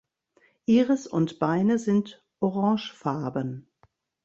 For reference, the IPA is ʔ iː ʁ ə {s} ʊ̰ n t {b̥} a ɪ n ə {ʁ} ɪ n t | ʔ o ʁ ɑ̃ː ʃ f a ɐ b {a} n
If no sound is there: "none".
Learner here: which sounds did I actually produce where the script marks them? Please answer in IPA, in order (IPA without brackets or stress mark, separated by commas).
s, b̥, z, ə